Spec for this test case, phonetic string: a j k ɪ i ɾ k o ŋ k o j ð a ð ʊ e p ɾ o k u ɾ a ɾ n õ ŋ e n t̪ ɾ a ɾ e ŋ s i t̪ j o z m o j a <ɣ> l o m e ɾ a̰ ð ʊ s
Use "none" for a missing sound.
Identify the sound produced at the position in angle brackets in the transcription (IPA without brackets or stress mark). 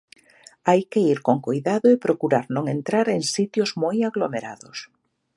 ɣ